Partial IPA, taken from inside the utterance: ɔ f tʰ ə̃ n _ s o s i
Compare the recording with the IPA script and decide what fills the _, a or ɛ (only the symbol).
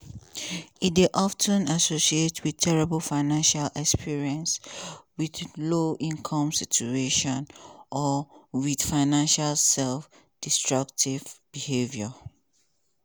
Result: a